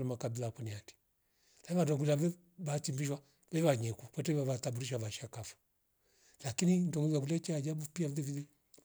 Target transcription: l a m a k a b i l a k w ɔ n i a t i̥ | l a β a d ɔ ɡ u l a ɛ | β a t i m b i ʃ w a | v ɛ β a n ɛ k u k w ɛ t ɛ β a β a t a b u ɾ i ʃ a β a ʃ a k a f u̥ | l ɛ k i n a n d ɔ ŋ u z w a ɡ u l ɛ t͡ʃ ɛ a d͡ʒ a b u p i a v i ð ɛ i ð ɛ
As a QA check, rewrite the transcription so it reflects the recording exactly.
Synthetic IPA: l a m a k a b i l a k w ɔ n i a t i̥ | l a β a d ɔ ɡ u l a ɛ | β a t i m b i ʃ w a | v ɛ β a ɲ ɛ k u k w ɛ t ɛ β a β a t a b u ɾ i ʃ a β a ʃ a k a f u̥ | l a k i n i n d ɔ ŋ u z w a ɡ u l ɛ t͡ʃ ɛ a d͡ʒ a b u p i a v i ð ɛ i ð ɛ